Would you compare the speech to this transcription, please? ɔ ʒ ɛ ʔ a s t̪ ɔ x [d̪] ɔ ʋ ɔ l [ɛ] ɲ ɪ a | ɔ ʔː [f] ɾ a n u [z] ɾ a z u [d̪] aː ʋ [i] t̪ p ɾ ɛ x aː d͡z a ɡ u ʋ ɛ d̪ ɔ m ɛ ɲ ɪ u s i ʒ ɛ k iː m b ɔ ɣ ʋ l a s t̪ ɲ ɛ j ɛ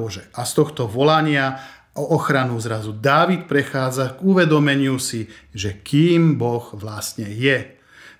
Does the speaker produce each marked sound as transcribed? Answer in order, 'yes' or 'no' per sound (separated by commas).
no, no, no, yes, yes, yes